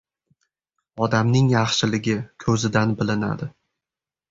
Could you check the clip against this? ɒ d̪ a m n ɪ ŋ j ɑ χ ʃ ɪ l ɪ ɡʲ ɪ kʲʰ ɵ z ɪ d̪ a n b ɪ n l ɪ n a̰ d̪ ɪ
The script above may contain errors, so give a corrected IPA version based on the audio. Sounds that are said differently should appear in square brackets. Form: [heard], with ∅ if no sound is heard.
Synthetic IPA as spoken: ɒ d̪ a m n ɪ ŋ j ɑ χ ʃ ɪ l ɪ ɡʲ ɪ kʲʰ ɵ z ɪ d̪ a n b ɪ [∅] l ɪ n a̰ d̪ ɪ